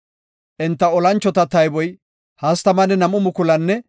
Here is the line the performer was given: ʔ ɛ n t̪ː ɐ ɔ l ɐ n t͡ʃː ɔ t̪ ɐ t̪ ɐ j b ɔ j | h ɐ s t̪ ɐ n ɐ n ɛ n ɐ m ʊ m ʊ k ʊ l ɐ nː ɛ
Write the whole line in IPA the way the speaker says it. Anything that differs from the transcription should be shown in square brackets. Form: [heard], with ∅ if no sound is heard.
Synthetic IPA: ʔ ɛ n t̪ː ɐ ɔ l ɐ n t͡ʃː ɔ t̪ ɐ t̪ ɐ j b ɔ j | h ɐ s t̪ ɐ [m] ɐ n ɛ n ɐ m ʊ m ʊ k ʊ l ɐ nː ɛ